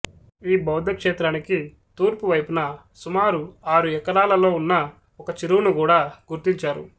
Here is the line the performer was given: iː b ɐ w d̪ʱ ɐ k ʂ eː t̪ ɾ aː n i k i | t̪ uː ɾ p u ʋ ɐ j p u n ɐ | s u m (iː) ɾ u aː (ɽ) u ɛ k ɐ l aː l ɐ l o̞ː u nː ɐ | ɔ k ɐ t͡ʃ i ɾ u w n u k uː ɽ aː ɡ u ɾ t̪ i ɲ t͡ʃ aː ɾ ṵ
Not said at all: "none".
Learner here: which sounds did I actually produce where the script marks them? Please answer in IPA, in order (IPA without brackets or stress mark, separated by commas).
aː, ɾ